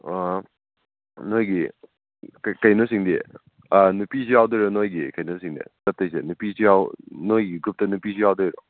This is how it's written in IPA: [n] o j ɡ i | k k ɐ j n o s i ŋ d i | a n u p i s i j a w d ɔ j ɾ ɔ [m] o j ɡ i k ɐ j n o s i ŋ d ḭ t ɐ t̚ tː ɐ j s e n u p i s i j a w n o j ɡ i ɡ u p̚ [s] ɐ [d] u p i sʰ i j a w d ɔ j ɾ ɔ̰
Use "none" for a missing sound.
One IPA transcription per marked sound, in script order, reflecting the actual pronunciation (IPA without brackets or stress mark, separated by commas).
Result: n, n, t, n